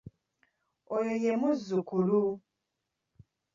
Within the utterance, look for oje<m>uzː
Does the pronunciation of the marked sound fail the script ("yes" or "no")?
no